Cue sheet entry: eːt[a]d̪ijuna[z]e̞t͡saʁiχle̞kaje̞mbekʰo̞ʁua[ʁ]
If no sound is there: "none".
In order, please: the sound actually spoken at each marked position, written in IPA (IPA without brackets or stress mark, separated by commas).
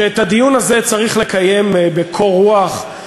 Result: a, z, χ